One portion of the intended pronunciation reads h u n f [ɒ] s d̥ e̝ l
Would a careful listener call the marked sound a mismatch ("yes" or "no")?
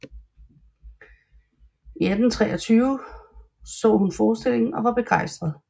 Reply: yes